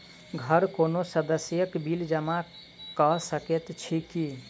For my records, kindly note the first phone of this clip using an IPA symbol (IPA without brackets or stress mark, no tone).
ɡʱ